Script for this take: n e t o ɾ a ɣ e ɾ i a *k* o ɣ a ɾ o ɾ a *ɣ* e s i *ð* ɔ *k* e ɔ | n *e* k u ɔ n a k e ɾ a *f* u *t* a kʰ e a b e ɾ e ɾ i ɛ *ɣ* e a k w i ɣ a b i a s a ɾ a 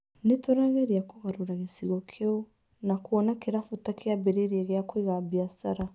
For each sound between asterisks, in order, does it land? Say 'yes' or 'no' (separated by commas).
yes, yes, no, no, no, yes, yes, yes